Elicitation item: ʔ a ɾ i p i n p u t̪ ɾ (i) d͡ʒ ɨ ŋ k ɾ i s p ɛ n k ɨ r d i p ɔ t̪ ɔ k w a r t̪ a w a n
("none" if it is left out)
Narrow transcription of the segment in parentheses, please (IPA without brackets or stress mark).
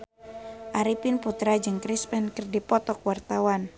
a